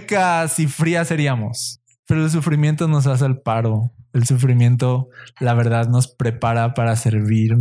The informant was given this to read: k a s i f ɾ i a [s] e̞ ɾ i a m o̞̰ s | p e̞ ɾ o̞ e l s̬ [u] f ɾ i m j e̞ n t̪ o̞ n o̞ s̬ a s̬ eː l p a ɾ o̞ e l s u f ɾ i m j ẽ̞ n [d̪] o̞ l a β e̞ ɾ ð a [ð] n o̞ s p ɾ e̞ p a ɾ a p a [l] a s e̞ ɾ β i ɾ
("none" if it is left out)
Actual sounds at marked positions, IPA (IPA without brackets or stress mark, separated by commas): s, u, t̪, ð, ɾ